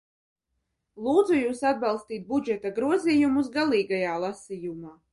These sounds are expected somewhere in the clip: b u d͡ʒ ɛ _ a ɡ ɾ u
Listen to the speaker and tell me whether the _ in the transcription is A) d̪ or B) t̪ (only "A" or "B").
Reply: B